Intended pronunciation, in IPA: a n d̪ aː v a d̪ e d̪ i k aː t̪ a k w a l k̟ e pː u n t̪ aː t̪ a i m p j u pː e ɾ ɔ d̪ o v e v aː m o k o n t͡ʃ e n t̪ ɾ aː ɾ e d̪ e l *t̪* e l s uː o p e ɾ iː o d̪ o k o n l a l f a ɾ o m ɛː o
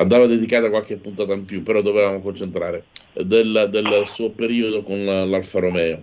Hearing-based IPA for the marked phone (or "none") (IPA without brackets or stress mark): d̪